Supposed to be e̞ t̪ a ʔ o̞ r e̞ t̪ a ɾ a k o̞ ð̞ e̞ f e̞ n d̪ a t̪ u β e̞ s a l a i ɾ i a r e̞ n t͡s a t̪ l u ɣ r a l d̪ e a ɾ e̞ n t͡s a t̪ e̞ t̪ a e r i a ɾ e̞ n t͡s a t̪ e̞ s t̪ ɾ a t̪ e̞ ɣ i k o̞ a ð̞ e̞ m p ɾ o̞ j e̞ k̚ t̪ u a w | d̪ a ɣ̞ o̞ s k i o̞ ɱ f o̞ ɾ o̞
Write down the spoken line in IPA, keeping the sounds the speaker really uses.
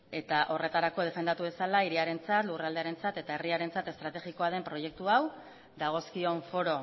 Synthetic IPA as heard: e̞ t̪ a ʔ o̞ r e̞ t̪ a ɾ a k o̞ ð̞ e̞ f e̞ n d̪ a t̪ u β e̞ s a l a i ɾ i a ɾ e̞ n t͡s a t̪ l u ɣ r a l d̪ e a ɾ e̞ n t͡s a t̪ e̞ t̪ a e r i a ɾ e̞ n t͡s a t̪ e̞ s t̪ ɾ a t̪ e̞ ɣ i k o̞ a ð̞ e̞ m p ɾ o̞ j e̞ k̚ t̪ u a w | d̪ a ɣ̞ o̞ s k i o̞ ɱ f o̞ ɾ o̞